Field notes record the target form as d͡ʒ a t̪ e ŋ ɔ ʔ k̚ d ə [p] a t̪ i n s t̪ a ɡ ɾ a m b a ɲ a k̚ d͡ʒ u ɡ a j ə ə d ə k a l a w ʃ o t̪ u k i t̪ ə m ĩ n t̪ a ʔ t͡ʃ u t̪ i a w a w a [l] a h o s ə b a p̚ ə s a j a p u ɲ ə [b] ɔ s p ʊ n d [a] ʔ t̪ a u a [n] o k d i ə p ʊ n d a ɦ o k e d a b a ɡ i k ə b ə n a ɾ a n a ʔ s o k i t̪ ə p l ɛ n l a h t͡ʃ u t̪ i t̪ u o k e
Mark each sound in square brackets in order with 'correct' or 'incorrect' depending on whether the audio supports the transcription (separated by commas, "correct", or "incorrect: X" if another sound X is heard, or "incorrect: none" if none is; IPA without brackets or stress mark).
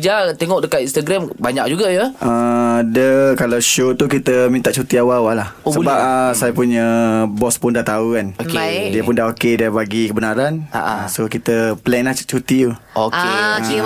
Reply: incorrect: k, correct, correct, correct, correct